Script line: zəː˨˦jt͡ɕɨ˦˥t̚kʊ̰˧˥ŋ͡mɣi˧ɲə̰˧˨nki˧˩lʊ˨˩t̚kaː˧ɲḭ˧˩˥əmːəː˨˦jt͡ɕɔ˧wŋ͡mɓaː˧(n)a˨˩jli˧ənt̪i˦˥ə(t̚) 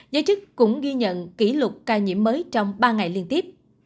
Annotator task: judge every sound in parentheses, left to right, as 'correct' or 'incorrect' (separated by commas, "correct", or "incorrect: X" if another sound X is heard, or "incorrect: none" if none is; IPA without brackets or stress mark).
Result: incorrect: ŋ, incorrect: p̚